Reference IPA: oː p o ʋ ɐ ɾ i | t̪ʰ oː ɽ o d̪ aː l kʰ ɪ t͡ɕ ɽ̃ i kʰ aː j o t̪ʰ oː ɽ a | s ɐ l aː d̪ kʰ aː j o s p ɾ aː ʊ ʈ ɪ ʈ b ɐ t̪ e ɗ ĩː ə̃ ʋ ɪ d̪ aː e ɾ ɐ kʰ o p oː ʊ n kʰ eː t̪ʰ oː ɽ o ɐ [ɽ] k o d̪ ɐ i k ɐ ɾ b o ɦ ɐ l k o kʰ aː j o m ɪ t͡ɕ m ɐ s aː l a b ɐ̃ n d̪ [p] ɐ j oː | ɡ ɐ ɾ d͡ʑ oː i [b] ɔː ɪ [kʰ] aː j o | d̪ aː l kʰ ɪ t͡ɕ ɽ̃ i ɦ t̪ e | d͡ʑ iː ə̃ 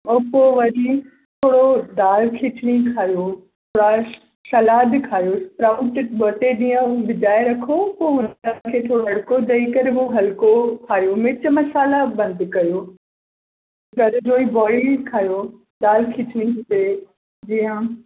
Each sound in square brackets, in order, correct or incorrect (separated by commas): correct, incorrect, correct, correct